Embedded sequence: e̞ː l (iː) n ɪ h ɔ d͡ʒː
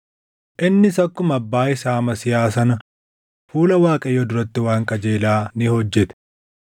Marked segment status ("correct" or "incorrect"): incorrect